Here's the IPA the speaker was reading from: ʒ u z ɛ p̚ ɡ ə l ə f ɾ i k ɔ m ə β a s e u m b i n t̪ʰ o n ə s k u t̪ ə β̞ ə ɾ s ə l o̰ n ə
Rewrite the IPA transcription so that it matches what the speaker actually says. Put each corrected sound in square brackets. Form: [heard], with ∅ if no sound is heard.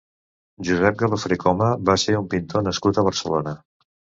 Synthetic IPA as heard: ʒ u z ɛ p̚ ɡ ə l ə f ɾ i k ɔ m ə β a s e u m [p] i n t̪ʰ o n ə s k u t̪ ə β̞ ə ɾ s ə l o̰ n ə